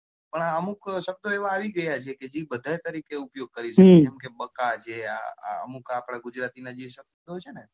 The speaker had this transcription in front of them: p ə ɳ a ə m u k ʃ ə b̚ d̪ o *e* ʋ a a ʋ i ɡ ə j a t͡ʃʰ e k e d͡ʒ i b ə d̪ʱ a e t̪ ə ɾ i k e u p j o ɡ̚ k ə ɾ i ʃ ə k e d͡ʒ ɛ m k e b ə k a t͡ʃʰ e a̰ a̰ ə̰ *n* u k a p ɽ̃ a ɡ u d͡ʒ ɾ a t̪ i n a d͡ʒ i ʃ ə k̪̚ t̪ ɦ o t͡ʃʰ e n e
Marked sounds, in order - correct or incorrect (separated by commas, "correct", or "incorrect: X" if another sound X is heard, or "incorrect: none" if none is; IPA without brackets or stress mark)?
correct, incorrect: m